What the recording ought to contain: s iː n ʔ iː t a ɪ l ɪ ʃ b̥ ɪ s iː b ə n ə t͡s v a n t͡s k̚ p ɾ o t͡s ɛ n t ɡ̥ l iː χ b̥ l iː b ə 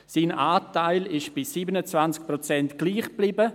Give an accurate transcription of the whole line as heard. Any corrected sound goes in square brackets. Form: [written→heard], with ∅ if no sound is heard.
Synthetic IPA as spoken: s iː n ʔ [iː→aː] t a ɪ l ɪ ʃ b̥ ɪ s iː b ə n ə t͡s v a n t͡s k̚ p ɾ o t͡s ɛ n t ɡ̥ l iː χ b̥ l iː b ə